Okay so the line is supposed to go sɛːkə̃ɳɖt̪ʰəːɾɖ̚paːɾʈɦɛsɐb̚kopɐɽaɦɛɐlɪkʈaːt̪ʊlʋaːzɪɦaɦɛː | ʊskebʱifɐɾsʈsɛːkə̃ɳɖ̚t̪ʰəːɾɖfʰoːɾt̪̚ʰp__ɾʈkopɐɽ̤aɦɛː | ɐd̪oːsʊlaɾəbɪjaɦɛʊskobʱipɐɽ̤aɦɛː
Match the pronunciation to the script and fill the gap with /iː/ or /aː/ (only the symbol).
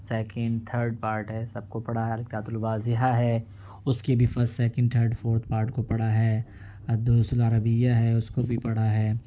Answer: aː